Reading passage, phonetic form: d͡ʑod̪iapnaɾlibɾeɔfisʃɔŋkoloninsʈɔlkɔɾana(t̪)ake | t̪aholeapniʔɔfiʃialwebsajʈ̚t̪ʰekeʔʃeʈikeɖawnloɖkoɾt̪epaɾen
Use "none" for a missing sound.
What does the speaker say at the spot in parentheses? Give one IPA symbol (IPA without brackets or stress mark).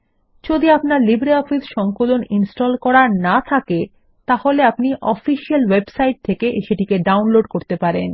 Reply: t̪ʰ